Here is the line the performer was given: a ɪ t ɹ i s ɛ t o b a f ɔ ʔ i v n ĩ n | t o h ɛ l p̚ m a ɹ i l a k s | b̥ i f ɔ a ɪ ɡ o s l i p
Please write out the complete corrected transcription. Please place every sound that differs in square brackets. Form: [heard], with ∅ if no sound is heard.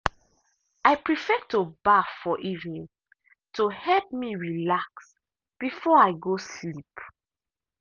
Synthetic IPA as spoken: a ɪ [p] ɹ i [f] ɛ t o b a f ɔ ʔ i v n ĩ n | t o h ɛ l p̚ m [i] ɹ i l a k s | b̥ i f ɔ a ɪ ɡ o s l i p